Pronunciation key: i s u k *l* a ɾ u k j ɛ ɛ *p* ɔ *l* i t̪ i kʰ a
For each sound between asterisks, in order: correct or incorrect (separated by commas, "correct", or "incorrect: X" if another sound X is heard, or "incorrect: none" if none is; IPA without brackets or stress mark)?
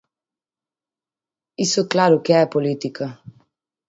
correct, correct, correct